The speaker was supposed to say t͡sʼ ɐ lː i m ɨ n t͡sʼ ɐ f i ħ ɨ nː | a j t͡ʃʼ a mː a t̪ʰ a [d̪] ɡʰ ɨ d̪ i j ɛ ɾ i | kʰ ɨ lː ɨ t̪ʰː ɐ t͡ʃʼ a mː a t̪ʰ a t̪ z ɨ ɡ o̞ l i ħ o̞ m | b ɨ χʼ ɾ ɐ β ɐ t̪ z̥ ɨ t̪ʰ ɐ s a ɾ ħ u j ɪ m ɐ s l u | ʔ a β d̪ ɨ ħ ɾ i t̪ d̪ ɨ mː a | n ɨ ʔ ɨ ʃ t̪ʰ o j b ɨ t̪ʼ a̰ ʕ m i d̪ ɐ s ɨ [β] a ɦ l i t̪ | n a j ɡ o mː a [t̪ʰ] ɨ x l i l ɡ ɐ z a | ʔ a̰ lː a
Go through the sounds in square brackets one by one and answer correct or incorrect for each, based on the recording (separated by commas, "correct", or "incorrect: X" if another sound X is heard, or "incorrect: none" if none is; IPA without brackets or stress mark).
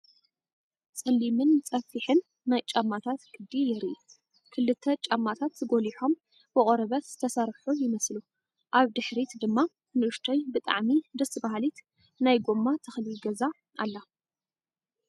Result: incorrect: t̪, incorrect: b, correct